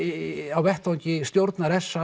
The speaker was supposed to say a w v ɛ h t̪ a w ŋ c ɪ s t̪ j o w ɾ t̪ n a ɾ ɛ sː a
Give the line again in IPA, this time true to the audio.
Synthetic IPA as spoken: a w v ɛ h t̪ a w ɲ c ɪ s t̪ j o w ɾ t̪ n a ɾ ɛ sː a